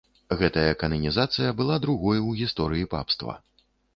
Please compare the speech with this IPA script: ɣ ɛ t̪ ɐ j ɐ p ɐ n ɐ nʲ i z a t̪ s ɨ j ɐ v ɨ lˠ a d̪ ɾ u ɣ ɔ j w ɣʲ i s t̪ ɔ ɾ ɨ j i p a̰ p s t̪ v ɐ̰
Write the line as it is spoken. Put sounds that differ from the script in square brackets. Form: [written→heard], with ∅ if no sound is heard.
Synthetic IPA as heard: ɣ ɛ t̪ ɐ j ɐ [p→k] ɐ n ɐ nʲ i z a t̪ s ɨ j ɐ [v→b] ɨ lˠ a d̪ ɾ u ɣ ɔ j w ɣʲ i s t̪ ɔ ɾ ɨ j i p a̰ p s t̪ v ɐ̰